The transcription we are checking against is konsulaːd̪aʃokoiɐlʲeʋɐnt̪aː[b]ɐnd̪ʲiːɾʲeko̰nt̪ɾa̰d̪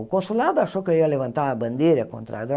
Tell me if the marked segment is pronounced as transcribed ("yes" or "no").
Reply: yes